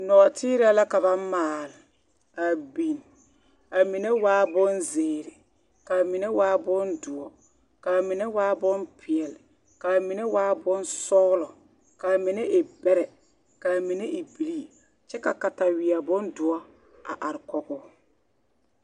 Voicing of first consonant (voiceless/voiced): voiced